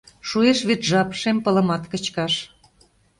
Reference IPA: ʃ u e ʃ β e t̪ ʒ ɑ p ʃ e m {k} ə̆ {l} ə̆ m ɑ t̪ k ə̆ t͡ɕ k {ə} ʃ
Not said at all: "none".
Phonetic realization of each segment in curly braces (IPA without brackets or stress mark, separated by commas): p, l, ɑ